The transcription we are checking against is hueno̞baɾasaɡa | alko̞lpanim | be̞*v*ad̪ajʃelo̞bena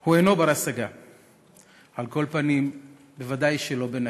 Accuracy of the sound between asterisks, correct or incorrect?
correct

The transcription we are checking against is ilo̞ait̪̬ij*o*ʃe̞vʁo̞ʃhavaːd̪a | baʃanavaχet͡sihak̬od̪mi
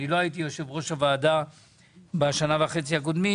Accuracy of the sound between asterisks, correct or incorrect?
correct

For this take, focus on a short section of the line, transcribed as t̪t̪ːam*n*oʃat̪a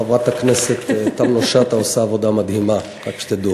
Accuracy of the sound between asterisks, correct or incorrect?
correct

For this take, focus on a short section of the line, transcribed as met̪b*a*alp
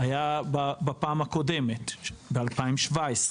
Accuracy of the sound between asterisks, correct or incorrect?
incorrect: e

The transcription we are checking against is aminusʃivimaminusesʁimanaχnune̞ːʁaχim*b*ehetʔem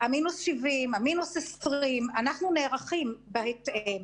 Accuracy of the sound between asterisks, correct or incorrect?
correct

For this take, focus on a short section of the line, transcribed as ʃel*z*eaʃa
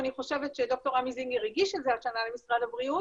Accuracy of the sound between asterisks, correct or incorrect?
correct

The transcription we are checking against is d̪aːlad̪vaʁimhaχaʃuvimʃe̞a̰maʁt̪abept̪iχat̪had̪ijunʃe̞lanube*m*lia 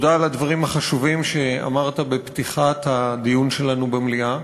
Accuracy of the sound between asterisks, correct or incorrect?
correct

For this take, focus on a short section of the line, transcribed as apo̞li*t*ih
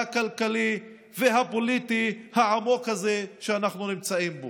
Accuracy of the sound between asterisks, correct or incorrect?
correct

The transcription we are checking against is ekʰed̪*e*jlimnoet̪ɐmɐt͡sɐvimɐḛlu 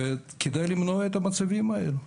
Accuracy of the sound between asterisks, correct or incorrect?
incorrect: a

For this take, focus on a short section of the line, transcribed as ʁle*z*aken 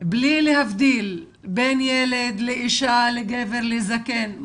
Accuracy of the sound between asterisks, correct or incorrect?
correct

